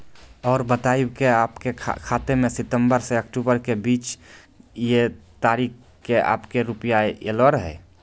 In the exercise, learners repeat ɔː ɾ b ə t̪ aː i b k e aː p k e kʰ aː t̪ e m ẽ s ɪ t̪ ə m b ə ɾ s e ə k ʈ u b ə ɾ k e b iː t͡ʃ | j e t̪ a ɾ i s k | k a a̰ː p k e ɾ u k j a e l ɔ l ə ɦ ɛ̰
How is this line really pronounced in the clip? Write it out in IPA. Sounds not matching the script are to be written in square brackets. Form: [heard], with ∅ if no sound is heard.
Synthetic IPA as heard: ɔː ɾ b ə t̪ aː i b k e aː p k e kʰ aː t̪ e m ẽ s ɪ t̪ ə m b ə ɾ s e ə k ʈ u b ə ɾ k e b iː t͡ʃ | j e t̪ a ɾ i [∅] k | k [e] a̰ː p k e ɾ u [p] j a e l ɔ [ɾ] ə ɦ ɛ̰